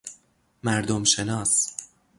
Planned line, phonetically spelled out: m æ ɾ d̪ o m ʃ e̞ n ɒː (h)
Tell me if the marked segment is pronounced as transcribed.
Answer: no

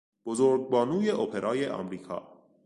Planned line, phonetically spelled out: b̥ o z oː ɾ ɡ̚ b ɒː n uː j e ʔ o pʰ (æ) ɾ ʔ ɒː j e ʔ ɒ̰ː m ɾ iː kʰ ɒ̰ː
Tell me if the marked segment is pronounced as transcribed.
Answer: no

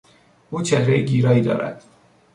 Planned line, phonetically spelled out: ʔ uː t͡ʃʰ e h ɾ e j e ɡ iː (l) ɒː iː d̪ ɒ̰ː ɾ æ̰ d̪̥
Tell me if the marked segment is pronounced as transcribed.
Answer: no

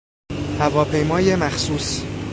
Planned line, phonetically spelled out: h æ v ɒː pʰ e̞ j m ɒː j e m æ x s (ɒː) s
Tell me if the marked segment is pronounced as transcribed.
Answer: no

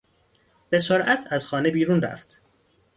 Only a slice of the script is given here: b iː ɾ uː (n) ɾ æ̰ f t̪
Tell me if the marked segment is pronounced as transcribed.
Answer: yes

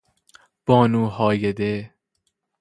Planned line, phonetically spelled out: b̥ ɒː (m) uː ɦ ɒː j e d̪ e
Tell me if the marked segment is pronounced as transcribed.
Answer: no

